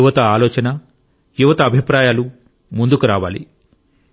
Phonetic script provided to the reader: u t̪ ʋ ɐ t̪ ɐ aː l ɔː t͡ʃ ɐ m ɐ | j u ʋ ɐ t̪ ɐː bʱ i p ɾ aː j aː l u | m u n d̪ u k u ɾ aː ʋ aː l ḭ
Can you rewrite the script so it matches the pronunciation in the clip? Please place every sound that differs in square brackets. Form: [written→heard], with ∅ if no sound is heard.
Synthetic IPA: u [t̪→∅] ʋ ɐ t̪ ɐ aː l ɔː t͡ʃ ɐ [m→n] ɐ | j u ʋ ɐ t̪ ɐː bʱ i p ɾ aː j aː l u | m u n d̪ u k u ɾ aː ʋ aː l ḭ